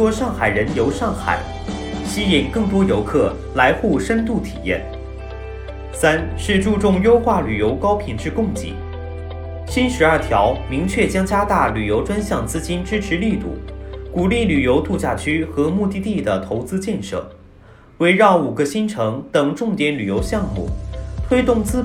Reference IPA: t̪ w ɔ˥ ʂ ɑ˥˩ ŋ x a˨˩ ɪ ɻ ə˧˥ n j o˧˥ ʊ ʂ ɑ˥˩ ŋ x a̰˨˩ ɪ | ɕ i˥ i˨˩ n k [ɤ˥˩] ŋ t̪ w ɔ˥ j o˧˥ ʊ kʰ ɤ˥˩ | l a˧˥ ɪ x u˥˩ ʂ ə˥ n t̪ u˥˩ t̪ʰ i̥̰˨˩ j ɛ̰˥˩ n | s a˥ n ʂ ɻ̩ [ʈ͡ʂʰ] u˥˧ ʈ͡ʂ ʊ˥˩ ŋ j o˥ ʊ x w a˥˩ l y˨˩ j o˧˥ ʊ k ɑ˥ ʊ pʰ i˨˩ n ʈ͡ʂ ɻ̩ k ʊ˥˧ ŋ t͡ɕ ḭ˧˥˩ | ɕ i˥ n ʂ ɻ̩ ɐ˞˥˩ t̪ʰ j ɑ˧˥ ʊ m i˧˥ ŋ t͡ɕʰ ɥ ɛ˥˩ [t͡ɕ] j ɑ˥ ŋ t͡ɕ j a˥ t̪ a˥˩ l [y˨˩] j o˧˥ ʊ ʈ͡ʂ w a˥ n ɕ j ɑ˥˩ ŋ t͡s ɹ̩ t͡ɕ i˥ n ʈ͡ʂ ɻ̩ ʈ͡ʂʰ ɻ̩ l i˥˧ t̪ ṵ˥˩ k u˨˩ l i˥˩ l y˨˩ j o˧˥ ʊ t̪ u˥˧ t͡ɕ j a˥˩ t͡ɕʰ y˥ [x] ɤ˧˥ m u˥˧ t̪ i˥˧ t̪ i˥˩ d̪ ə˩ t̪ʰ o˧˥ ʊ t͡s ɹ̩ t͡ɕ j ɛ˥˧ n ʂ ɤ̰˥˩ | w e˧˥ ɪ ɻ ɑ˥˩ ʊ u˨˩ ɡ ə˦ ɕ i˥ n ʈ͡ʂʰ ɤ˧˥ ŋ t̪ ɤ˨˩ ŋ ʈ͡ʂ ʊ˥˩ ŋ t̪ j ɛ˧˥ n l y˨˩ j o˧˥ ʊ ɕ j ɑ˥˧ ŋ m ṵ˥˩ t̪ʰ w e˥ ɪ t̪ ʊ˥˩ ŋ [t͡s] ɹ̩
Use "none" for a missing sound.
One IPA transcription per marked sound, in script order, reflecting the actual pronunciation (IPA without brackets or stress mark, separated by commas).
ɤ˥˩, ʈ͡ʂ, t͡ɕ, y˨˩, x, t͡s